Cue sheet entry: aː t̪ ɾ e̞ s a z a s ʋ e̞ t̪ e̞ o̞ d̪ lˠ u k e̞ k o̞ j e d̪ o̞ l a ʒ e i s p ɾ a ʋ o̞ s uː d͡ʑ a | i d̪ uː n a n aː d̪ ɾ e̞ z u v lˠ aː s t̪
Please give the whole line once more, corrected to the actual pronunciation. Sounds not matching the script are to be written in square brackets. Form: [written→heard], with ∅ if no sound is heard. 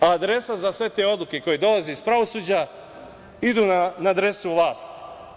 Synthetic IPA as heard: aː [t̪→d̪] ɾ e̞ s a z a s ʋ e̞ t̪ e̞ o̞ d̪ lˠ u k e̞ k o̞ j e d̪ o̞ l a [ʒ→z] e i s p ɾ a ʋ o̞ s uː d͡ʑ a | i d̪ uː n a n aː d̪ ɾ e̞ [z→s] u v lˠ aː s t̪